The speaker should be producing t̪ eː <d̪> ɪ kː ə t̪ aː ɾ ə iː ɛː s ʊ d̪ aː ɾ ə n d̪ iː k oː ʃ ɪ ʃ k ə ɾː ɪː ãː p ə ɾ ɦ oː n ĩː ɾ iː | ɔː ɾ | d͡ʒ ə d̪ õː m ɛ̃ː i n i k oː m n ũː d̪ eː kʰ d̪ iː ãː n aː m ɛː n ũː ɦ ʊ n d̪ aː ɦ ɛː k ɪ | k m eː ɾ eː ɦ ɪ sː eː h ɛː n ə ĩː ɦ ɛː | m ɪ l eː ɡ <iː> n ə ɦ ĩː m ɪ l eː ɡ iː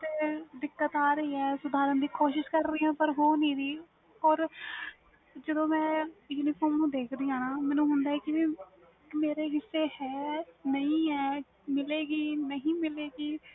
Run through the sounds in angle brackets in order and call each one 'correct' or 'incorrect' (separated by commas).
correct, correct